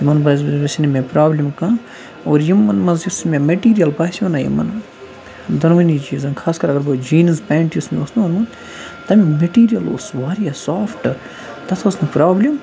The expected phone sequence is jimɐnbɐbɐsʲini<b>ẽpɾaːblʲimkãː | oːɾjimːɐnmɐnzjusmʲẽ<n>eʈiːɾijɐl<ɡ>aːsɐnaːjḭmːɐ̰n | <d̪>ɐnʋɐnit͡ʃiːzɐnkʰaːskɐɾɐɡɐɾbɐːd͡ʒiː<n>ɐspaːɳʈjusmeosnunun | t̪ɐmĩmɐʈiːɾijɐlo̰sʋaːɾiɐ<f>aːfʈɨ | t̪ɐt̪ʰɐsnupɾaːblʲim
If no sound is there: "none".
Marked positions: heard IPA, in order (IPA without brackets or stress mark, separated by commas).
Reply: m, m, b, d̪, n, s